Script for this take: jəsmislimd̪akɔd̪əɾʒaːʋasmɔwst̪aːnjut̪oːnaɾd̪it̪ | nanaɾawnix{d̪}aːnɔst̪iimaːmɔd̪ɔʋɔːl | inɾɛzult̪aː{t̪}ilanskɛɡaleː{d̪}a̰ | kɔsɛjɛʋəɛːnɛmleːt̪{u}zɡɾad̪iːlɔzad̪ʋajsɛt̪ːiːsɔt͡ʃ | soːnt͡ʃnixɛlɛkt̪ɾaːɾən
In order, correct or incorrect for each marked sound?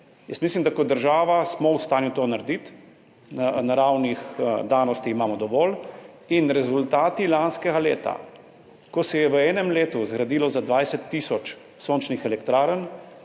correct, correct, incorrect, correct

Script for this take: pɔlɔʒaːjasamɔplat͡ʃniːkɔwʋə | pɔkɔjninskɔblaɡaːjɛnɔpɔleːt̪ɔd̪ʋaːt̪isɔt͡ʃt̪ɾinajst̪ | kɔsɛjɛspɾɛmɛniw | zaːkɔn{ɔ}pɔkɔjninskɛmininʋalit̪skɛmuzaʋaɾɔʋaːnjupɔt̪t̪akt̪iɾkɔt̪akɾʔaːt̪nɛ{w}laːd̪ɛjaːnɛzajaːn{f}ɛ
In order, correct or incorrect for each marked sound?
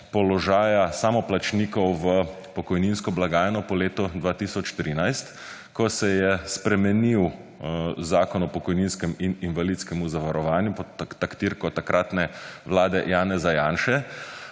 correct, incorrect, incorrect

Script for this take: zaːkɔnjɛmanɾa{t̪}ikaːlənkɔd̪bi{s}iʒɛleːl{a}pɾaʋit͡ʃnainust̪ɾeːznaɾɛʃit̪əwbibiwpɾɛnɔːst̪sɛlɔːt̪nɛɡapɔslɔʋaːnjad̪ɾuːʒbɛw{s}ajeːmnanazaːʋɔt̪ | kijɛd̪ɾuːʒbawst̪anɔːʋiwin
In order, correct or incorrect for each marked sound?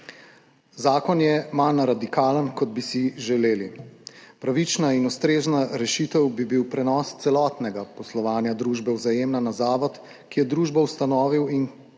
incorrect, correct, incorrect, incorrect

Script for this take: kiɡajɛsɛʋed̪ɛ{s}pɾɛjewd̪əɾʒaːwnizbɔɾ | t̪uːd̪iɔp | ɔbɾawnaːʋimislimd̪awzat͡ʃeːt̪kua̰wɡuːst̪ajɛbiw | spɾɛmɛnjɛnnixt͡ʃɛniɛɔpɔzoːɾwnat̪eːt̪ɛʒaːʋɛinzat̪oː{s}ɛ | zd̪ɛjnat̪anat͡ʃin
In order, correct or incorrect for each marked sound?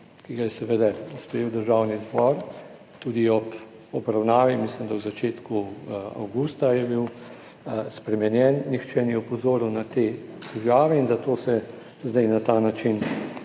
correct, correct

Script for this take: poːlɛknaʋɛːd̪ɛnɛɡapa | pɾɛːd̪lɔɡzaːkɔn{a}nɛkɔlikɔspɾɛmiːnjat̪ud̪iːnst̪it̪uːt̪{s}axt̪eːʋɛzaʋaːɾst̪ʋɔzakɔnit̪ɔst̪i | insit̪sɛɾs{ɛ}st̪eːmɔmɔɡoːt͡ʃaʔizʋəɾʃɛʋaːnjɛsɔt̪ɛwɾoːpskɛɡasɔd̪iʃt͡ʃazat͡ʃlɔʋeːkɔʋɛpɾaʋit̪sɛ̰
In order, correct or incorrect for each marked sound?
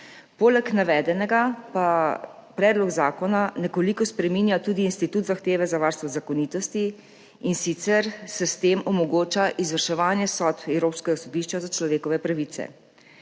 correct, incorrect, correct

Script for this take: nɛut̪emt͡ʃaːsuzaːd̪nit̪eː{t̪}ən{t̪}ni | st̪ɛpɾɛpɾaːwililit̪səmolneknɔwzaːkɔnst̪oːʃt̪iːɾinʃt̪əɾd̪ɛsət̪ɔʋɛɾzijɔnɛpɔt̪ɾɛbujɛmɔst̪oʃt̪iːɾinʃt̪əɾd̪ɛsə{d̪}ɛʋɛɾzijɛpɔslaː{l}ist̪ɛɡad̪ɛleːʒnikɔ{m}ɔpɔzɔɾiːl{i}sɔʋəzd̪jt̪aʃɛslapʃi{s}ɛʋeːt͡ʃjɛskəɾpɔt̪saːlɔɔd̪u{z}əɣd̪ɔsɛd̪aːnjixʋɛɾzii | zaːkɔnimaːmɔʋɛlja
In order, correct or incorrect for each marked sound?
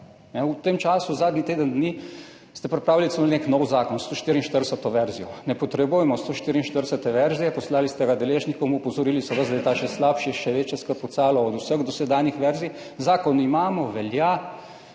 incorrect, incorrect, incorrect, correct, correct, correct, incorrect, incorrect

